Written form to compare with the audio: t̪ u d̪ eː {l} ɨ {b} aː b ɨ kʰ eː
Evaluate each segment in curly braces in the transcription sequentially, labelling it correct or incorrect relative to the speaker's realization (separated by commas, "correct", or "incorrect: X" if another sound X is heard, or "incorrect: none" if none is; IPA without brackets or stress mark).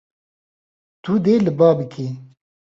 correct, correct